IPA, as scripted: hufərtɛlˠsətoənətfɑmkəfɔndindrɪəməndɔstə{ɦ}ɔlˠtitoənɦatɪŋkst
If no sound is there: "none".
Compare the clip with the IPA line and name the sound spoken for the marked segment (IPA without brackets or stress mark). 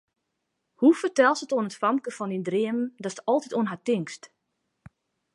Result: none